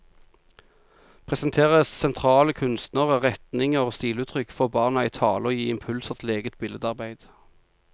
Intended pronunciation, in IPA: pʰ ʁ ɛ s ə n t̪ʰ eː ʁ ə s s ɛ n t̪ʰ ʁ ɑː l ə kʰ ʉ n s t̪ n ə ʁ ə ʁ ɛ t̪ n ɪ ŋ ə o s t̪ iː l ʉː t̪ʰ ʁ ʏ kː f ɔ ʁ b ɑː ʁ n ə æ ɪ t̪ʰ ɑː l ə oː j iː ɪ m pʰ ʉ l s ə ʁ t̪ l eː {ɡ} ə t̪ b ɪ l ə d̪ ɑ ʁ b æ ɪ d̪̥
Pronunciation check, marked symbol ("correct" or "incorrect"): correct